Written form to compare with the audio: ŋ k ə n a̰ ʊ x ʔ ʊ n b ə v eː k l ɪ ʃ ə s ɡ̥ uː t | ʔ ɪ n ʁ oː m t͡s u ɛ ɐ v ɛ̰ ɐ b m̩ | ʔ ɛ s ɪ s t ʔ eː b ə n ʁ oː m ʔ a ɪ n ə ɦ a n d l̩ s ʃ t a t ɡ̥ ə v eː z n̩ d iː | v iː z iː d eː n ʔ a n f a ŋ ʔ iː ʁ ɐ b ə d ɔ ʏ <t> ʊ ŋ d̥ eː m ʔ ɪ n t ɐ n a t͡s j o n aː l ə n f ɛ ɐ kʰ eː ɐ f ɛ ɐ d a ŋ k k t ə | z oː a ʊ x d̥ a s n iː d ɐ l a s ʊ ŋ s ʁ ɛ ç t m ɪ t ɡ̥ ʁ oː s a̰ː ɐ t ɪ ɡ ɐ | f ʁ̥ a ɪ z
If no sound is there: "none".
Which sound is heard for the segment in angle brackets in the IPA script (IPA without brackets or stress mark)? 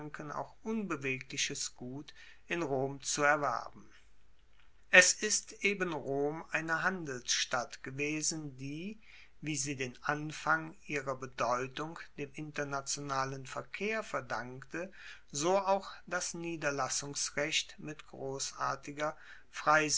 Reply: t